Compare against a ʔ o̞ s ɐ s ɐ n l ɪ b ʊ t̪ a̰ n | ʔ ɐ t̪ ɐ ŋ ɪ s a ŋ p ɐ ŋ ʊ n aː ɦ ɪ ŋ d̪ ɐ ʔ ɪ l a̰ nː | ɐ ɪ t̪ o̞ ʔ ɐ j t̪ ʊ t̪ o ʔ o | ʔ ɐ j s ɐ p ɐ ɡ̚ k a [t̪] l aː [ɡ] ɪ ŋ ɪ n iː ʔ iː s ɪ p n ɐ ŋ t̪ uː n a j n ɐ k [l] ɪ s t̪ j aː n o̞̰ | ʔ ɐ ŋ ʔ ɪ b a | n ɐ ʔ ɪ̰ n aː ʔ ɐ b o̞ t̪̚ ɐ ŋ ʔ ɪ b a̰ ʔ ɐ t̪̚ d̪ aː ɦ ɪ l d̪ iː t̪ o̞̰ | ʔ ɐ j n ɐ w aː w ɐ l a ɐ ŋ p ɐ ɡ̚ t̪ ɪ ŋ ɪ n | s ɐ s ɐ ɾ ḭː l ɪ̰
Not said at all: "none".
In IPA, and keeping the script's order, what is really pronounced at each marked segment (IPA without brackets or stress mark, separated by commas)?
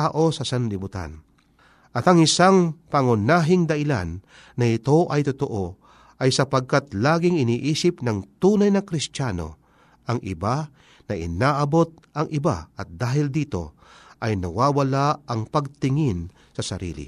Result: t̪, ɡ, ɾ